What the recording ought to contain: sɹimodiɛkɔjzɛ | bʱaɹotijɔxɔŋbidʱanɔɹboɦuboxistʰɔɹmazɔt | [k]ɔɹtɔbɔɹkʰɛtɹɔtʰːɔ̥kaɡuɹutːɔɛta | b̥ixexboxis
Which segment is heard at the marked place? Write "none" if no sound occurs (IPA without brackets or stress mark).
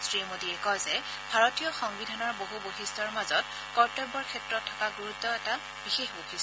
k